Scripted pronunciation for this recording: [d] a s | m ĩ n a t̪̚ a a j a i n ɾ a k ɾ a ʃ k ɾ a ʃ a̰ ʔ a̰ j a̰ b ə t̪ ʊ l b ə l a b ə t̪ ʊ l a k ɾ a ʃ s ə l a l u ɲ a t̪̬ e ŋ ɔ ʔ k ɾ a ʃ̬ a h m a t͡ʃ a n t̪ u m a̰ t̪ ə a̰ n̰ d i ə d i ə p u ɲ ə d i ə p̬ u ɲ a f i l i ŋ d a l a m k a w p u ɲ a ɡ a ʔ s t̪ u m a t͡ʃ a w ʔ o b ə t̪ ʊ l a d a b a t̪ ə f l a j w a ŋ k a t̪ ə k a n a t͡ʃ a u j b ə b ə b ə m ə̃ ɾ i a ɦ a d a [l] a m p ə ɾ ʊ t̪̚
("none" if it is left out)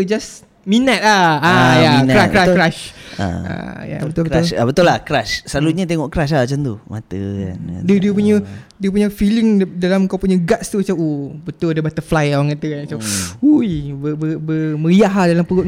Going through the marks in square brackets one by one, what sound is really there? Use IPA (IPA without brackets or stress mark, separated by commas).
d͡ʒ, l